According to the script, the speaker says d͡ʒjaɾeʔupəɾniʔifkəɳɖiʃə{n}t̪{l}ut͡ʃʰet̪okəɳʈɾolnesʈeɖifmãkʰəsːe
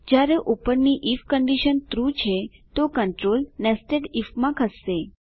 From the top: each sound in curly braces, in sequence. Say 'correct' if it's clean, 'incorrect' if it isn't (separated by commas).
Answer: correct, incorrect